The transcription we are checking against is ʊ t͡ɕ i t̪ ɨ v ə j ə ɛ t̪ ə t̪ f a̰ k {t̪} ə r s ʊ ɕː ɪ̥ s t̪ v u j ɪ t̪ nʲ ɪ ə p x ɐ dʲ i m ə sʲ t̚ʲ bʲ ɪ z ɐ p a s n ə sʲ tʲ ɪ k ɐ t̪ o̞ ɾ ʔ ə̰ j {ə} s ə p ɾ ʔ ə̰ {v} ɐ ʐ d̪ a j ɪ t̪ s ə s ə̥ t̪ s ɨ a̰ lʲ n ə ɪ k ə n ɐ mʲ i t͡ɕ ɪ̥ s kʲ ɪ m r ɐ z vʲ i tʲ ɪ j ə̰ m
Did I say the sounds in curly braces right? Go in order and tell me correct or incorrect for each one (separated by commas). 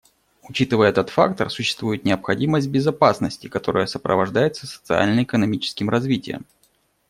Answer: correct, correct, correct